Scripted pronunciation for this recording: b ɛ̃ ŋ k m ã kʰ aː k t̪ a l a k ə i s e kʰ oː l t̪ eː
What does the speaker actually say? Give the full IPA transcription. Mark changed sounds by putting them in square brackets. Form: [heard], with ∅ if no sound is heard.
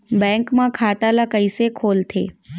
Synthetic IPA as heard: b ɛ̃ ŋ k m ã kʰ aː [∅] t̪ a l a k ə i s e kʰ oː l [t̪ʰ] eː

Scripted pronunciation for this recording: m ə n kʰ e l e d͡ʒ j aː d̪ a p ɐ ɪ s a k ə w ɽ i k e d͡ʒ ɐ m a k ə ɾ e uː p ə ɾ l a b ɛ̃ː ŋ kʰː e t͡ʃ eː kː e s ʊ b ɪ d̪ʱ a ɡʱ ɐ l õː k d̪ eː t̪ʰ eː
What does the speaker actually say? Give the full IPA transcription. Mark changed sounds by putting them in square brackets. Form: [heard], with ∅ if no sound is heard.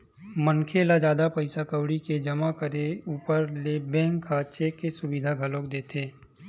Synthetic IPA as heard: m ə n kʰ e l [a] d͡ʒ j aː d̪ a p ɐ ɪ s a k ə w ɽ i k e d͡ʒ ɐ m a k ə ɾ e uː p ə ɾ l [e] b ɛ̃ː ŋ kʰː [a] t͡ʃ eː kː e s ʊ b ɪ d̪ʱ a ɡʱ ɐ l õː k d̪ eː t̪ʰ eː

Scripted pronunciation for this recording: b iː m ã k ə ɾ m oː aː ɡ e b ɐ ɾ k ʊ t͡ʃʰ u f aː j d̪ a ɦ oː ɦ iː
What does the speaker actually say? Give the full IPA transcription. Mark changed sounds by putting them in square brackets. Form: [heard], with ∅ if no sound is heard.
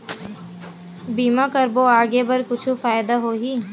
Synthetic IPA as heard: b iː m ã k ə ɾ [b] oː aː ɡ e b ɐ ɾ k ʊ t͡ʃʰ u f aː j d̪ a ɦ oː ɦ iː

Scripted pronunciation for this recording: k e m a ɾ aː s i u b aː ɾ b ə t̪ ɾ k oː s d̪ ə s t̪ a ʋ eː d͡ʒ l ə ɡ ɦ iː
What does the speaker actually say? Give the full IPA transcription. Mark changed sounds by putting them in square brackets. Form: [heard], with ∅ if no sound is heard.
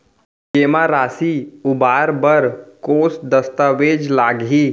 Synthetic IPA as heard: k e m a ɾ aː s i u b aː ɾ b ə [∅] ɾ k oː s d̪ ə s t̪ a ʋ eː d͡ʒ l [a] ɡ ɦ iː

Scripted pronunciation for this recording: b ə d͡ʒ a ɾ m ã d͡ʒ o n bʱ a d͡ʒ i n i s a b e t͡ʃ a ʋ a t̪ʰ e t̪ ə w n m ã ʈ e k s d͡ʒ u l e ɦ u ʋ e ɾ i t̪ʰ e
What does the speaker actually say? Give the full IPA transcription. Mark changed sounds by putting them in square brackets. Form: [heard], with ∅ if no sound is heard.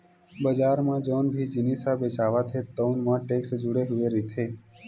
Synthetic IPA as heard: b ə d͡ʒ a ɾ m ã d͡ʒ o n bʱ [i] d͡ʒ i n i s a b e t͡ʃ a ʋ a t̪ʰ e t̪ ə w n m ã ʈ e k s d͡ʒ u [ɽ] e ɦ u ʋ e ɾ i t̪ʰ e

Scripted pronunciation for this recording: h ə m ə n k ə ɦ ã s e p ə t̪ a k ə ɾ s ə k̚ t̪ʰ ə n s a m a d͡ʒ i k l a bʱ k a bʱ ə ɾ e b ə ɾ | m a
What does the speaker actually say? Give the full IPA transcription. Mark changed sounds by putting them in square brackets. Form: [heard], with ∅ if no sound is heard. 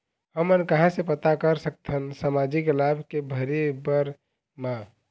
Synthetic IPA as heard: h ə m ə n k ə ɦ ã s e p ə t̪ a k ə ɾ s ə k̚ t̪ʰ ə n s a m a d͡ʒ i k l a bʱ k [e] bʱ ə ɾ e b ə ɾ | m a

